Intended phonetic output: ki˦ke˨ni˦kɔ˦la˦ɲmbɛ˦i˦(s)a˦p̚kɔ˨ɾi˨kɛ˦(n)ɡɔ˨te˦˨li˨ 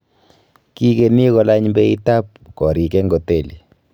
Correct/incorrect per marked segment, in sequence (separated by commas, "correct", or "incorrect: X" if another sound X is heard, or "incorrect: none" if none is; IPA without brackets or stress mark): incorrect: t, incorrect: ŋ